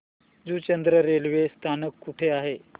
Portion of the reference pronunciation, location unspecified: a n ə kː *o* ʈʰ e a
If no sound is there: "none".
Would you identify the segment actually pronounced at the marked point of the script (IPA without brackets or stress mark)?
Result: u